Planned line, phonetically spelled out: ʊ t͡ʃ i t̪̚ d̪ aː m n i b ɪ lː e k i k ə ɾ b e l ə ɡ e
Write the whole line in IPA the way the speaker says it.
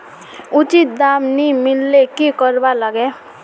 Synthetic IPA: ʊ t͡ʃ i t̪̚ d̪ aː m n i m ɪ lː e k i k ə ɾ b a l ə ɡ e